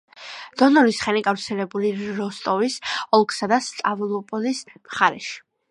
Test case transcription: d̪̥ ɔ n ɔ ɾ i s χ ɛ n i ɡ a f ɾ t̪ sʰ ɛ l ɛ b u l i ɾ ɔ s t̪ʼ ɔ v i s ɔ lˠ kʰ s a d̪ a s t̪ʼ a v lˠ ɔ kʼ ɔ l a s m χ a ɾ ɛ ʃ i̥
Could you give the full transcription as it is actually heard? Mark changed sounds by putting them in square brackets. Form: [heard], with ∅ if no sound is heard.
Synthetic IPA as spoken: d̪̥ ɔ n ɔ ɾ i s χ ɛ n i ɡ a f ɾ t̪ sʰ ɛ l ɛ b u l i ɾ ɔ s t̪ʼ ɔ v i s ɔ lˠ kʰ s a d̪ a s t̪ʼ a v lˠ ɔ [pʼ] ɔ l [i] s m χ a ɾ ɛ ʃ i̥